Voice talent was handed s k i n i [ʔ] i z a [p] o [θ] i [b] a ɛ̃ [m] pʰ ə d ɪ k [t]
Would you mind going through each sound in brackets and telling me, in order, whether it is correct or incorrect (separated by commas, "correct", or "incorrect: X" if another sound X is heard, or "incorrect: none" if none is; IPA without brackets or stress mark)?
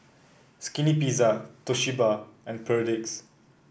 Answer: incorrect: p, incorrect: t, incorrect: ʃ, correct, incorrect: n, incorrect: s